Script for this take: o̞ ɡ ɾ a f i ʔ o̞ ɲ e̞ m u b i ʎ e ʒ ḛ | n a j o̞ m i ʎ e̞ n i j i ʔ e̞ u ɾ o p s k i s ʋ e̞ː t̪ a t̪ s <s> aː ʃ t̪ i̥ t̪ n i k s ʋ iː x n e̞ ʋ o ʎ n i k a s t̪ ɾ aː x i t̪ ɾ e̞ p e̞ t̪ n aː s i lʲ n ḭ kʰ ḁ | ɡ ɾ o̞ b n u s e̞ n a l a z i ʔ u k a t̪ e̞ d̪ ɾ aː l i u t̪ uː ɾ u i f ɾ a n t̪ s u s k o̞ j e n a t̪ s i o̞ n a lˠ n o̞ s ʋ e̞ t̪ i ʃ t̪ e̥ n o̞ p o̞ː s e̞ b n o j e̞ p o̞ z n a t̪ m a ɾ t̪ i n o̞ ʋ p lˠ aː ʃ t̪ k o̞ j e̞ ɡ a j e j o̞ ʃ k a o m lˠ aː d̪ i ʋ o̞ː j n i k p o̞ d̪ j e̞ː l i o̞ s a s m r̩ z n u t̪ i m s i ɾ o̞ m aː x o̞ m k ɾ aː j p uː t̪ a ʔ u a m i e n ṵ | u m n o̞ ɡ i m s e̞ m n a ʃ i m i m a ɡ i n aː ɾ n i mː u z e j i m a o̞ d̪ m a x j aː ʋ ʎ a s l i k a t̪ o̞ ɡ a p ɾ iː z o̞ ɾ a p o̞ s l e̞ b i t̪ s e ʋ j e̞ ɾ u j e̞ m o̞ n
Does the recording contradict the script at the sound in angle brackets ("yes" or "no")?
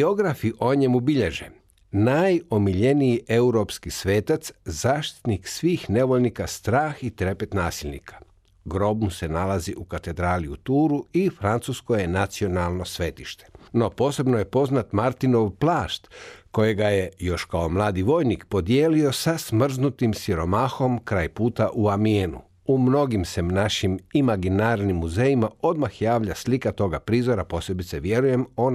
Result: yes